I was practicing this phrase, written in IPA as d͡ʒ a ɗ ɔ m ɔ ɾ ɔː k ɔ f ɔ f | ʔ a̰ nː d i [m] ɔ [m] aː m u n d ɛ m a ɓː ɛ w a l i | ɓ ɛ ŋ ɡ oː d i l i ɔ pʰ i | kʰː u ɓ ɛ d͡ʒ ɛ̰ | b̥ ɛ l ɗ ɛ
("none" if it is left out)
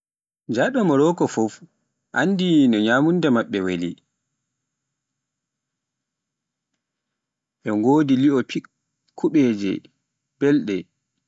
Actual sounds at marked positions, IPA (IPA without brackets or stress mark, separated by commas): n, ɲ